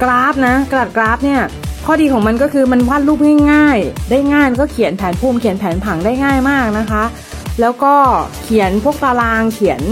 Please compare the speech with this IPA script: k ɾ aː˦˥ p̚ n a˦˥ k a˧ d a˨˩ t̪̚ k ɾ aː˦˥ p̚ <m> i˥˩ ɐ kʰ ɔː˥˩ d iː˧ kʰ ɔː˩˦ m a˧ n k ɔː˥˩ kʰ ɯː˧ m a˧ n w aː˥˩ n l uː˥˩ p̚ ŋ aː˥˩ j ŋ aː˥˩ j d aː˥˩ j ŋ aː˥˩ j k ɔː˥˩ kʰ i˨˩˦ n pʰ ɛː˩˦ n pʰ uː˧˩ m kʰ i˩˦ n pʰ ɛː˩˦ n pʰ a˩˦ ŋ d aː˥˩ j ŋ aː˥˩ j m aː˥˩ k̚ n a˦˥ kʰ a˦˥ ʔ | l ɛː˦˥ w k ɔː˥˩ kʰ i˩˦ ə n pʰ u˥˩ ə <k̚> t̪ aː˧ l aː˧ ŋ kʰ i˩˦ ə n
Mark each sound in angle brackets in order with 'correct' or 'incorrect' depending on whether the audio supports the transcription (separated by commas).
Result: incorrect, correct